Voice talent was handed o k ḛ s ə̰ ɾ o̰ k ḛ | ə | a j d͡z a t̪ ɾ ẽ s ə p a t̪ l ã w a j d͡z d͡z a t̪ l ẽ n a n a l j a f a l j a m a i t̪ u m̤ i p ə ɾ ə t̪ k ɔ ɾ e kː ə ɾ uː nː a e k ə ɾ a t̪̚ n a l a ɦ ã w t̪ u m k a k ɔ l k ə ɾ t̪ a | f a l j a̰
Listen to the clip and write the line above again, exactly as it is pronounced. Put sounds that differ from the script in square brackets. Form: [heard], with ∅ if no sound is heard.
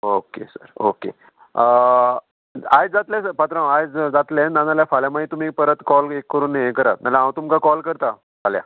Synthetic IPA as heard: o k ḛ s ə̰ ɾ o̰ k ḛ | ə | a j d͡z a t̪ [l] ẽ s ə p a t̪ [ɾ] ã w a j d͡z d͡z a t̪ l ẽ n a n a l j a f a l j a m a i t̪ u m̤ i p ə ɾ ə t̪ k ɔ [l] e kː ə ɾ uː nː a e k ə ɾ a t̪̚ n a l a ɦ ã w t̪ u m k a k ɔ l k ə ɾ t̪ a | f a l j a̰